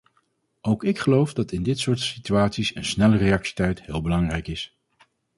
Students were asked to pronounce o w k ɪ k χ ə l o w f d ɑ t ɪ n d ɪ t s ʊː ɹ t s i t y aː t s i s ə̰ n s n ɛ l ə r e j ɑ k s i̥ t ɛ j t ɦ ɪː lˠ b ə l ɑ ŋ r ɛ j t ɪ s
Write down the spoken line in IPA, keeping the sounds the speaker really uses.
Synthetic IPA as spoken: o w k ɪ k χ ə l o w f d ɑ t ɪ n d ɪ t s ʊː ɹ t s i t y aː t s i s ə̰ n s n ɛ l ə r e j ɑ k s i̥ t ɛ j t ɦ ɪː lˠ b ə l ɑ ŋ r ɛ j k ɪ s